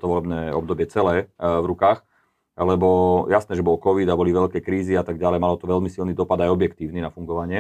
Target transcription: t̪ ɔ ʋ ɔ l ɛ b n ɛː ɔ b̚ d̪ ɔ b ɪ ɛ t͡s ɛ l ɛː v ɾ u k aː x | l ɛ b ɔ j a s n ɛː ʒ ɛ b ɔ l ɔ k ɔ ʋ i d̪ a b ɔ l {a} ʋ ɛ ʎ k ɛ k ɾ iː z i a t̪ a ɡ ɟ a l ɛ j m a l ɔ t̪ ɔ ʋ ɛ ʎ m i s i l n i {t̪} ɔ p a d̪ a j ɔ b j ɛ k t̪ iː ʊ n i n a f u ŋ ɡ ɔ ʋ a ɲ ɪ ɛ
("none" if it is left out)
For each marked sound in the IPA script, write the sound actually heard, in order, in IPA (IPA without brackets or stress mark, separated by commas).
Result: i, d̪